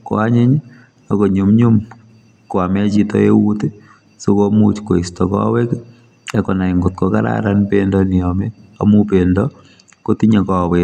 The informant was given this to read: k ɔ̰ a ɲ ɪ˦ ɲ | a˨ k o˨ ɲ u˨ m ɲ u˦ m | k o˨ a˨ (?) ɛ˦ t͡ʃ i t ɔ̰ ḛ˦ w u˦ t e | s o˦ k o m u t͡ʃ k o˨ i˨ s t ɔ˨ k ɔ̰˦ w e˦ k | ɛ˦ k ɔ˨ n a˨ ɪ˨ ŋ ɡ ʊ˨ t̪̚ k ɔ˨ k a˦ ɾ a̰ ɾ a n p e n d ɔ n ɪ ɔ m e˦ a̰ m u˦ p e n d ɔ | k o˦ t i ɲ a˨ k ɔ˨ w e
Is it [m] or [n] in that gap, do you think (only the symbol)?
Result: m